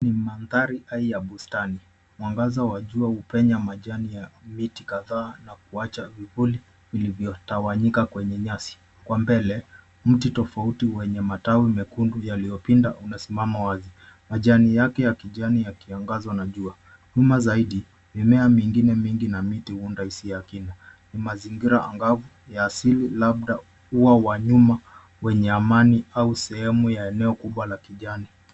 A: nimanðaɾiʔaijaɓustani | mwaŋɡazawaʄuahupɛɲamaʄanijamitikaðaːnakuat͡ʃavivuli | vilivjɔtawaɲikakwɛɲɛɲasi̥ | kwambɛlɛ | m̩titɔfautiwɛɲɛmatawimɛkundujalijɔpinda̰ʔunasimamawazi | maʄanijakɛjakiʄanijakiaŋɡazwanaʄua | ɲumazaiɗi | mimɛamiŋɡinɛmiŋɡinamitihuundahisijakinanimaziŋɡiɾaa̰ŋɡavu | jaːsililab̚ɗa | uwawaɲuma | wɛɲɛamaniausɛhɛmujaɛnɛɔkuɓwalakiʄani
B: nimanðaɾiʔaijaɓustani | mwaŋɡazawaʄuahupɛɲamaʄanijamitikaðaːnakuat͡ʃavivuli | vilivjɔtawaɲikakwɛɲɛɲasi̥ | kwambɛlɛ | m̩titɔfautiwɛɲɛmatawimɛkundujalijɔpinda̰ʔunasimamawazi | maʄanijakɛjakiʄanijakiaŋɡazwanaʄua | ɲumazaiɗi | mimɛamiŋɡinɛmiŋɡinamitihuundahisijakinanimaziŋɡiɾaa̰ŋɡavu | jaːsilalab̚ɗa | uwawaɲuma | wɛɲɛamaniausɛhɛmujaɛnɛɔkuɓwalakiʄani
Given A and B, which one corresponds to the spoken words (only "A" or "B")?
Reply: A